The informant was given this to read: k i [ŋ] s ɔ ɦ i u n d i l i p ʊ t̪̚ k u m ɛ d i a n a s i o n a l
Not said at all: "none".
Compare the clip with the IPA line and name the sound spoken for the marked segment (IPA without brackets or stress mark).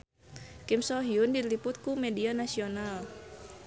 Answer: m